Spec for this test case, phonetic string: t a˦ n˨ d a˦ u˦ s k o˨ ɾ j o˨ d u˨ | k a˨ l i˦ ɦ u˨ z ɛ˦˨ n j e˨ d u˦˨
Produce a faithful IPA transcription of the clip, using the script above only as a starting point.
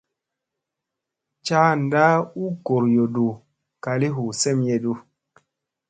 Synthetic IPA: t͡ʃ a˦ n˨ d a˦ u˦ k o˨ ɾ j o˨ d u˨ | k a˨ l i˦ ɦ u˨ s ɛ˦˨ m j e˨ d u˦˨